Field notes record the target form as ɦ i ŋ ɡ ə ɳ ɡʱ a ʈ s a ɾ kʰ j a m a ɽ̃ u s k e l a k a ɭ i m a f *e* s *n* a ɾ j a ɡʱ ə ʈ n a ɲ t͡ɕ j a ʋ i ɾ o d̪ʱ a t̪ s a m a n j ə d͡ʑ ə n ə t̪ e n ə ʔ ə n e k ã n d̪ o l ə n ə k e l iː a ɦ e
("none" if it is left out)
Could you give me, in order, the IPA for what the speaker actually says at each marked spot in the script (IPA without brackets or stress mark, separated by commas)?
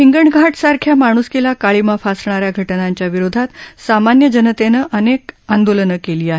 a, ɳ